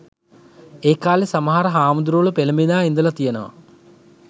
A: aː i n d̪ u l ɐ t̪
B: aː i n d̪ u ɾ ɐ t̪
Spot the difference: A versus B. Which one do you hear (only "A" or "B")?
A